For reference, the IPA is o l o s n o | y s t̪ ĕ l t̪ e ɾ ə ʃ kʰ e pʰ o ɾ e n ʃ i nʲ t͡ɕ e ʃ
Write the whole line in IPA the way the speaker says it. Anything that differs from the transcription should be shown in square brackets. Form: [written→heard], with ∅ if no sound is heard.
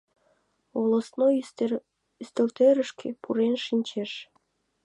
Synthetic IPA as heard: o l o s n o | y s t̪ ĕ l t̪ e ɾ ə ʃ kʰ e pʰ [o→u] ɾ e n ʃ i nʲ t͡ɕ e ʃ